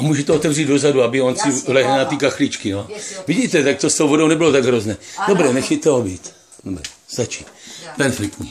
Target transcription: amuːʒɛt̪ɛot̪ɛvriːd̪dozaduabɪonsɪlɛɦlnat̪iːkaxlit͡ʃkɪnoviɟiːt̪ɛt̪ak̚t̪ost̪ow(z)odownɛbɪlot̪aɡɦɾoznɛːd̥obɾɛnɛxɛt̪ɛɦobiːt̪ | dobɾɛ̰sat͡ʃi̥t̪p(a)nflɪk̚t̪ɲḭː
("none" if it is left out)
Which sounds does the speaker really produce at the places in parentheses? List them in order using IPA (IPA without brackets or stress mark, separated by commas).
v, ɛ